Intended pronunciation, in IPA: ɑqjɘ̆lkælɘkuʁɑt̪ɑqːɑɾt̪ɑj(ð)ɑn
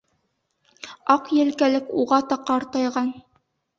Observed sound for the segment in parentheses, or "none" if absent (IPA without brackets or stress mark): ʁ